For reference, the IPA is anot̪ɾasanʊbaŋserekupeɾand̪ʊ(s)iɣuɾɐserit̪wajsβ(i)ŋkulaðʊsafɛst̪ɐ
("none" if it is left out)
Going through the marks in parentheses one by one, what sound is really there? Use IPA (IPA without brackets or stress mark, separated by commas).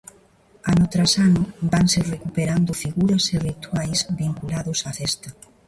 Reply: f, i